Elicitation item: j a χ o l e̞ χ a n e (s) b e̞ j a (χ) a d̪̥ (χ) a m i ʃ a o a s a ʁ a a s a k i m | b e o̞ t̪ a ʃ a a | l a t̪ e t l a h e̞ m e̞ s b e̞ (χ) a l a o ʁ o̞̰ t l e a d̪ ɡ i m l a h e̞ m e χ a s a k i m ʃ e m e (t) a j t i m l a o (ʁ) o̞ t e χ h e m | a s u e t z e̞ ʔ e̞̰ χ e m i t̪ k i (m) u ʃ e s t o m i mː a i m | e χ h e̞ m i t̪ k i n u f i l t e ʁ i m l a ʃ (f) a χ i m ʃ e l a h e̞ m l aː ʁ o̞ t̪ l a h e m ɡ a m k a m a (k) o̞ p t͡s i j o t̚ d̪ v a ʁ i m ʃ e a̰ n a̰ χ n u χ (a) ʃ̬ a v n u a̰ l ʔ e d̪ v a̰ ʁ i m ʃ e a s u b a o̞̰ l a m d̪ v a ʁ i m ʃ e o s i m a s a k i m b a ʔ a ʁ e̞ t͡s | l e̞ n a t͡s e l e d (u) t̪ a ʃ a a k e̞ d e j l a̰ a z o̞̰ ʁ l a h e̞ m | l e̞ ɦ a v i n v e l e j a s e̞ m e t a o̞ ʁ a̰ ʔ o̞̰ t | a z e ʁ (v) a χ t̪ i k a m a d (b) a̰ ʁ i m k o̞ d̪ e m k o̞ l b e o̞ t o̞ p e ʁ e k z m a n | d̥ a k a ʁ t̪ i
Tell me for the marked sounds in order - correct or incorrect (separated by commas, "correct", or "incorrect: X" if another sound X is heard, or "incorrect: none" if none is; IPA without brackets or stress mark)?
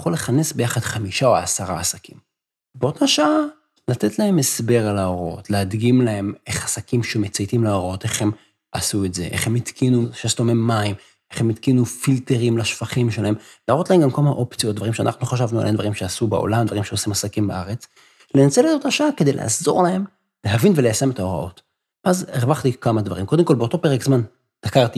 correct, correct, correct, incorrect: ʁ, incorrect: t͡s, correct, incorrect: n, correct, incorrect: ʔ, correct, incorrect: o, correct, incorrect: v